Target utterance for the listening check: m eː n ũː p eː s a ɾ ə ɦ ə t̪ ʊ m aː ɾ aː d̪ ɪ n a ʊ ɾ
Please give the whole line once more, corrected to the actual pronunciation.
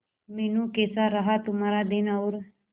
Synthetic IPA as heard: m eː n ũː k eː s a ɾ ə ɦ a t̪ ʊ m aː ɾ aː d̪ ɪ n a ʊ ɾ